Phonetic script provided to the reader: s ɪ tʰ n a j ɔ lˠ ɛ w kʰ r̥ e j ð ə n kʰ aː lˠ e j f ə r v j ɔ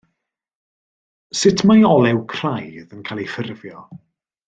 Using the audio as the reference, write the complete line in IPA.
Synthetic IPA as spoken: s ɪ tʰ m a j ɔ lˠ ɛ w kʰ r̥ a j ð ə n kʰ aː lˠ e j f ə r v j ɔ